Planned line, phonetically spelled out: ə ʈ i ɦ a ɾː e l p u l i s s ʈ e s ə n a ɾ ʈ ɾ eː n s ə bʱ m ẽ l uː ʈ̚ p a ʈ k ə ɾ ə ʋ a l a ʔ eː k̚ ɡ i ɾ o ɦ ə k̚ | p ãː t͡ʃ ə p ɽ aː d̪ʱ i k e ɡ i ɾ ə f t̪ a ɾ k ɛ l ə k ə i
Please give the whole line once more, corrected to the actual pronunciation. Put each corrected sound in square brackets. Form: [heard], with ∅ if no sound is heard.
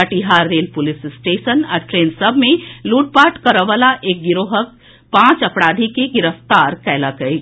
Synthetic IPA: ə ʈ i ɦ a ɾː e l p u l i s s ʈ e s ə n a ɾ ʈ ɾ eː n s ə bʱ m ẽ l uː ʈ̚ p a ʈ k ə ɾ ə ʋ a l a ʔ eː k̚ ɡ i ɾ o ɦ ə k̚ | p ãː t͡ʃ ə p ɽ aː d̪ʱ i k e ɡ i ɾ ə f t̪ a ɾ k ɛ l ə k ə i